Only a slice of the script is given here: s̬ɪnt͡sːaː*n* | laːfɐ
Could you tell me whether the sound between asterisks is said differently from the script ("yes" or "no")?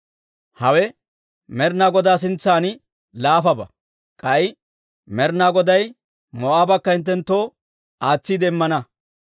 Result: no